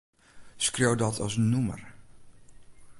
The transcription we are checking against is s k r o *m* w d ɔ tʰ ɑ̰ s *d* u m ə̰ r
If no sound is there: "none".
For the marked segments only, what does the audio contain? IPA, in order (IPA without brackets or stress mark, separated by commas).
none, n